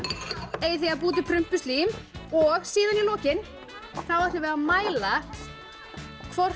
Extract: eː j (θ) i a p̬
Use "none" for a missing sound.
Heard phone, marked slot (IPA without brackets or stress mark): θ